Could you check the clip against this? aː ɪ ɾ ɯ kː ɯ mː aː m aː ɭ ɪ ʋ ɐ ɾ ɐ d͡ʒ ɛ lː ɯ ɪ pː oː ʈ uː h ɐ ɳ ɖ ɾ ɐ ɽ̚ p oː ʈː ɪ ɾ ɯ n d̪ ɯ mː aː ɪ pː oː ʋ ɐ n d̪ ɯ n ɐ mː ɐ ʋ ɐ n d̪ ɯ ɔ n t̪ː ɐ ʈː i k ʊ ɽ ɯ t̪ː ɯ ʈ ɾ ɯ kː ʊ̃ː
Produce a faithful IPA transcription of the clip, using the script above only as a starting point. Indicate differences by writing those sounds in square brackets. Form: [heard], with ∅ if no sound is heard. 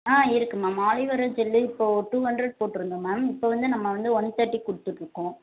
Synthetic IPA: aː ɪ ɾ ɯ kː ɯ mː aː m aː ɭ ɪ ʋ ɐ ɾ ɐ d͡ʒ ɛ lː ɯ ɪ pː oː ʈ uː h ɐ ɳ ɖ ɾ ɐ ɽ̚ p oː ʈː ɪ ɾ ɯ n d̪ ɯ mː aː ɪ pː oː ʋ ɐ n d̪ ɯ n ɐ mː ɐ ʋ ɐ n d̪ ɯ ɔ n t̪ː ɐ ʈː i k ʊ ɽ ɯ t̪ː ɯ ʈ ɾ ɯ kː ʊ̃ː